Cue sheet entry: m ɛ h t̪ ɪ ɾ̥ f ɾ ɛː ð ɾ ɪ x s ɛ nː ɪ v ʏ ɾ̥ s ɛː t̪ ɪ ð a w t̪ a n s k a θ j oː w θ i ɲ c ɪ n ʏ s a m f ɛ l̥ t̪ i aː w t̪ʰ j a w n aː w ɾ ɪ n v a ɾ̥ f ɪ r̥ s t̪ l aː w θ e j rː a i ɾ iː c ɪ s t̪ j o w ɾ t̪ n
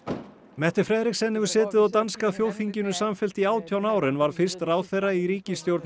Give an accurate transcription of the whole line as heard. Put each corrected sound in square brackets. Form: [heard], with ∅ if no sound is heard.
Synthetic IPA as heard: m ɛ h t̪ ɪ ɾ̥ f ɾ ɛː ð ɾ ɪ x s ɛ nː ɪ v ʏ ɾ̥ s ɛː t̪ ɪ ð a w t̪ a n s k a θ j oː w θ i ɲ c ɪ n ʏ s a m f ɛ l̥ t̪ i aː w t̪ʰ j a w n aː w ɾ ɪ n v a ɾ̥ f ɪ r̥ s t̪ [r] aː w θ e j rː a i ɾ iː c ɪ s t̪ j o w ɾ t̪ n

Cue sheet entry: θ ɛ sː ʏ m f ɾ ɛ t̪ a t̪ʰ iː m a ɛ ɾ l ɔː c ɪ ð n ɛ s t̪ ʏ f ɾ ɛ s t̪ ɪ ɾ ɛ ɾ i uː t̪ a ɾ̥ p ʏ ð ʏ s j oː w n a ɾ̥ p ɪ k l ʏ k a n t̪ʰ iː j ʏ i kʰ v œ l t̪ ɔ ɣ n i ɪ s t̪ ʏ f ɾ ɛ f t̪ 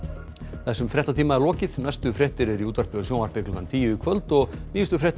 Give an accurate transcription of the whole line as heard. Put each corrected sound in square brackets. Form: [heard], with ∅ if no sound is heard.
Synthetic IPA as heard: θ ɛ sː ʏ m f ɾ ɛ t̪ a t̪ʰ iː m a ɛ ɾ l ɔː c ɪ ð n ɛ s t̪ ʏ f ɾ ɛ [h] t̪ ɪ ɾ ɛ ɾ i uː t̪ a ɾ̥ p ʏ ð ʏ s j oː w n a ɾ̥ p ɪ k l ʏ k a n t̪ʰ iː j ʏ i kʰ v œ l t̪ ɔ ɣ n [iː] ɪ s t̪ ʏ f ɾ ɛ [h] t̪

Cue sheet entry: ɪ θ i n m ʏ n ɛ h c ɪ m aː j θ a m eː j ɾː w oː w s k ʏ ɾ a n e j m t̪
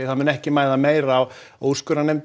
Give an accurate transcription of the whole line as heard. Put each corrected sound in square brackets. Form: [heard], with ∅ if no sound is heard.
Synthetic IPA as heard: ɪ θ [a] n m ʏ n ɛ h c ɪ m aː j [ð] a m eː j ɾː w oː w s k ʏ ɾ a n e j m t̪

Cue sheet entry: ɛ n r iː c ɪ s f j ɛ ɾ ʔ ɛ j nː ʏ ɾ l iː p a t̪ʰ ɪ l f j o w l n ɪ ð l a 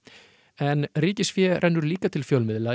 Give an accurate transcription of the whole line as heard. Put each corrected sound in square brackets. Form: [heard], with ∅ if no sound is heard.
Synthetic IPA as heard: ɛ n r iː c ɪ s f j ɛ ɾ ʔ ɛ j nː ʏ ɾ l iː [k] a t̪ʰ ɪ l f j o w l [m] ɪ ð l a

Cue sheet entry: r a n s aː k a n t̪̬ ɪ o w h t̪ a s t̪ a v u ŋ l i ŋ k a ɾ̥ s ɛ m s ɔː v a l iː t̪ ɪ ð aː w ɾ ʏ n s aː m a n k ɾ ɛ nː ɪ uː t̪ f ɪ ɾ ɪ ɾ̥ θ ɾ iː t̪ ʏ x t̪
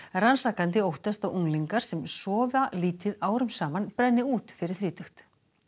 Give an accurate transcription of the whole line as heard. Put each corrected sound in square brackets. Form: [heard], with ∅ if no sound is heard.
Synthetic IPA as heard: r a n s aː k a n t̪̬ ɪ o w h t̪ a s t̪ a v u ŋ l i ŋ k a ɾ̥ s ɛ m s ɔː v a l iː t̪ ɪ ð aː w ɾ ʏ [m] s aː m a n [p] ɾ ɛ nː ɪ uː t̪ f ɪ ɾ ɪ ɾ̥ θ ɾ iː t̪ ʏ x t̪

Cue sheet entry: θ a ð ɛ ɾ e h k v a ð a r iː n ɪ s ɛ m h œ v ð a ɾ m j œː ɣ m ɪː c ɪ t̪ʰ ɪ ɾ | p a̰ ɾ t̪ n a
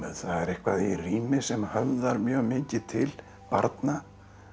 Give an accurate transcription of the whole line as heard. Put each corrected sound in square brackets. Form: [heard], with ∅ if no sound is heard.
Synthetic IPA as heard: θ a ð ɛ ɾ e h k v a ð [i] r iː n ɪ s ɛ m h œ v ð a ɾ m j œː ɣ m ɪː c ɪ t̪ʰ ɪ [l] | p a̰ ɾ t̪ n a

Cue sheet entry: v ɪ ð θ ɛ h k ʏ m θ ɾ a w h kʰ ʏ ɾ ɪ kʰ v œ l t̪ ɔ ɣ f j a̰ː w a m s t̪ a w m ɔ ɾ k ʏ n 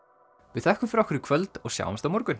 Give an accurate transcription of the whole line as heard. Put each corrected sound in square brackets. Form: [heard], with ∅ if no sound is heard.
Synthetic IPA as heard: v ɪ ð θ ɛ h k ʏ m [f] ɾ a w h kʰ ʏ ɾ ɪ kʰ v œ l t̪ ɔ ɣ [s] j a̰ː w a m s t̪ a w m ɔ ɾ k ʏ n

